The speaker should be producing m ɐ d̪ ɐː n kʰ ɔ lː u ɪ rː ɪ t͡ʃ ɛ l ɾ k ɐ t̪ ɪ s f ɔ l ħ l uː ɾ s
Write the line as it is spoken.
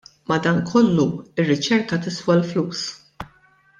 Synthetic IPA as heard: m ɐ d̪ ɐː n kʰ ɔ lː u ɪ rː ɪ t͡ʃ ɛ ɾ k ɐ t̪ ɪ s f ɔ l f l uː s